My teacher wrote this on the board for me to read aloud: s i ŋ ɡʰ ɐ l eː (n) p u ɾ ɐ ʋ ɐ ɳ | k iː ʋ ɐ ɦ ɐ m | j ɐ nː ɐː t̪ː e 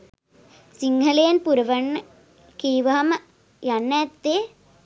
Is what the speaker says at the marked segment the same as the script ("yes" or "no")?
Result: yes